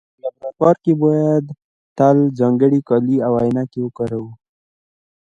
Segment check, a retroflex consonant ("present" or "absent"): present